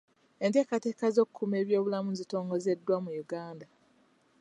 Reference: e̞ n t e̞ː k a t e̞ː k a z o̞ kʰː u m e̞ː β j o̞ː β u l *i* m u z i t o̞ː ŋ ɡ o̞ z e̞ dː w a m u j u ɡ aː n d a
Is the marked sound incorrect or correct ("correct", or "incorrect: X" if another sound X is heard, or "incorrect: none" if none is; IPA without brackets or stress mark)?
incorrect: a